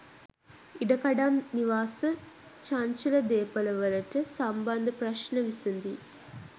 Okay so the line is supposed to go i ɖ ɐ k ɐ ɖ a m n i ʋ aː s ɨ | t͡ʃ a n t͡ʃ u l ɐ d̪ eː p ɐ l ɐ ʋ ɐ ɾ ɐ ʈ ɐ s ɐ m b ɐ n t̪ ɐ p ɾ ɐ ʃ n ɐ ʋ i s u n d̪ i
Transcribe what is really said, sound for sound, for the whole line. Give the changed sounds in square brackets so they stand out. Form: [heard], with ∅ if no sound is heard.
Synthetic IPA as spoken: i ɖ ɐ k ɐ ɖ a m n i ʋ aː s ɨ | t͡ʃ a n t͡ʃ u l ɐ d̪ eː p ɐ l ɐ ʋ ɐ [l] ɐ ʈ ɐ s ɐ m b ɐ n [d̪] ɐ p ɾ ɐ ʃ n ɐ ʋ i s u n d̪ i